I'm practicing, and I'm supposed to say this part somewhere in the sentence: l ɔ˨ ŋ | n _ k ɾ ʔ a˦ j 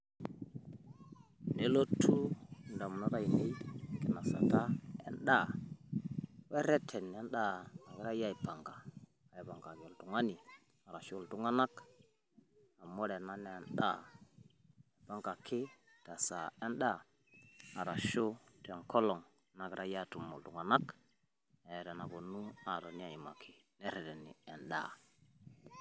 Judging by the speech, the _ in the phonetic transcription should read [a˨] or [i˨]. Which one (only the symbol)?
a˨